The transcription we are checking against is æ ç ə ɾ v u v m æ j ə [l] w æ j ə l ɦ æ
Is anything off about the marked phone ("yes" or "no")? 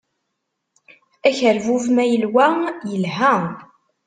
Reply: no